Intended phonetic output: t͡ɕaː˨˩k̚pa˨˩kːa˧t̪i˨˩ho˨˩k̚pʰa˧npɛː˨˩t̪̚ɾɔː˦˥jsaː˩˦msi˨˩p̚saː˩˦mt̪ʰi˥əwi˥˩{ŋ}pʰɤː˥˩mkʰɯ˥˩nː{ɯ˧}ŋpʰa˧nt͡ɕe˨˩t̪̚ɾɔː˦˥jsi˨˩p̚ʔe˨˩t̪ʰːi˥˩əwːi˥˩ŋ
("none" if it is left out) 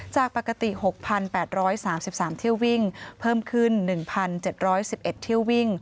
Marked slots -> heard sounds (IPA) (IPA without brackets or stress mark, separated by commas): ŋ, ɯ˨˩